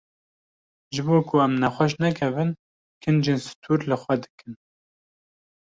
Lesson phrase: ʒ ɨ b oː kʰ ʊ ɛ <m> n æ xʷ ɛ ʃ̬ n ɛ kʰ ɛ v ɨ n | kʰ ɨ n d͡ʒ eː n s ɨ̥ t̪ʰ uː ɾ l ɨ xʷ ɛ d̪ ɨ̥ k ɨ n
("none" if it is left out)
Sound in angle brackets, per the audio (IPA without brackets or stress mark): m